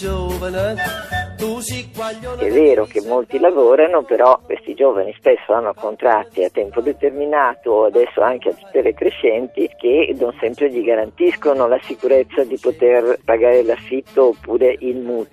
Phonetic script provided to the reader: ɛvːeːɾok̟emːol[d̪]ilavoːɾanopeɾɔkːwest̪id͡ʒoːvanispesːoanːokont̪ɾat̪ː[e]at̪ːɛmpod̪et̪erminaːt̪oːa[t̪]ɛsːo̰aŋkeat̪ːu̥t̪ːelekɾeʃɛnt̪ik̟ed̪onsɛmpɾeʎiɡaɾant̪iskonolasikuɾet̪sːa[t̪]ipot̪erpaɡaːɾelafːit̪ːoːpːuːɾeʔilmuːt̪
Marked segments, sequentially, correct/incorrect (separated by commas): incorrect, incorrect, incorrect, incorrect